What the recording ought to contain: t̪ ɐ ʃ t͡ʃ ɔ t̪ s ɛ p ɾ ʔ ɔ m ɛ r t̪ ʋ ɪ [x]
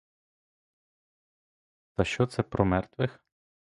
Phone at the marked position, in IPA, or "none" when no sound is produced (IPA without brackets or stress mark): x